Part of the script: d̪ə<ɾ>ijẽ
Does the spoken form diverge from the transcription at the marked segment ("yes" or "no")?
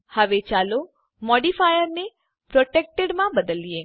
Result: yes